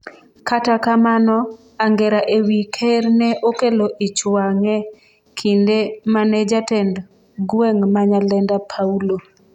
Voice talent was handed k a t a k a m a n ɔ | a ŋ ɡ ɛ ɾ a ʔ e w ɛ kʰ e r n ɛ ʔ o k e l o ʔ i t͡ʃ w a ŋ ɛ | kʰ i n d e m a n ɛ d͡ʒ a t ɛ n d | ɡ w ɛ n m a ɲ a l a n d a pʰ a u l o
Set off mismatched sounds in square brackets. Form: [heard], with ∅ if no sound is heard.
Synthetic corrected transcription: k a t a k a m a n ɔ | a ŋ ɡ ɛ ɾ a ʔ e w [i] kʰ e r n ɛ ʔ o k e l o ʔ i t͡ʃ w a ŋ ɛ | kʰ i n d e m a n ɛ d͡ʒ a t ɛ n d | ɡ w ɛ [ŋ] m a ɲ a l [ɛ] n d a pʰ a u l o